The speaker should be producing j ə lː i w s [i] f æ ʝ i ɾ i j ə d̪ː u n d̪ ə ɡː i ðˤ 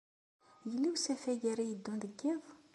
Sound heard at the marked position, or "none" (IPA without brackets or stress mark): æ